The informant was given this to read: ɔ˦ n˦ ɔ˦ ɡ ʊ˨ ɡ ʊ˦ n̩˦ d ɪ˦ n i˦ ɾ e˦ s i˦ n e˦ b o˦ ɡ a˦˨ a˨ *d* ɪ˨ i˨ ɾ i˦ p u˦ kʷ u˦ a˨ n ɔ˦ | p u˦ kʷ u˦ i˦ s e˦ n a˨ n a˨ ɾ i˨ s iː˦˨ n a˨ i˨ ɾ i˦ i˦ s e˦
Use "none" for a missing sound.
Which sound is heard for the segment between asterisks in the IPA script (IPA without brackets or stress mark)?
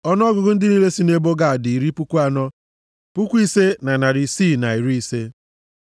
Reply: d